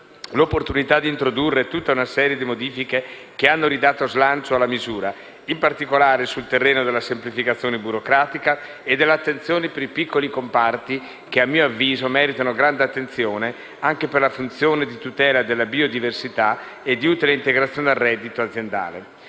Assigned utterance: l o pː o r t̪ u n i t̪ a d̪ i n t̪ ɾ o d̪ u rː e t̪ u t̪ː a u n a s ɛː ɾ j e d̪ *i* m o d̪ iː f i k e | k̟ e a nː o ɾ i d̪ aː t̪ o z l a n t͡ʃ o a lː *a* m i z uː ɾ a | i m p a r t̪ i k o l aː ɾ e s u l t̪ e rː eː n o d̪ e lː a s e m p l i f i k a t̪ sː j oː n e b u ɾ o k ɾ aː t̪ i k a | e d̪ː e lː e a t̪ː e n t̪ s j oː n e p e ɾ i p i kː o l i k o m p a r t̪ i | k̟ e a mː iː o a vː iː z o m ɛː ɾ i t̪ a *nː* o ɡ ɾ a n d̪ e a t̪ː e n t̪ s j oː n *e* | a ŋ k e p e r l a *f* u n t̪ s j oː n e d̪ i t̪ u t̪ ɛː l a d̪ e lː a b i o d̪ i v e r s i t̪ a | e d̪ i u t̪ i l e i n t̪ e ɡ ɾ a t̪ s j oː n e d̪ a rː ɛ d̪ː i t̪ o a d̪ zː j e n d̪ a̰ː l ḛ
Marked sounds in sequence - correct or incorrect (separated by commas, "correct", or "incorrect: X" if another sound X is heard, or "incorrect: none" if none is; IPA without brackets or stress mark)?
correct, correct, incorrect: n, correct, correct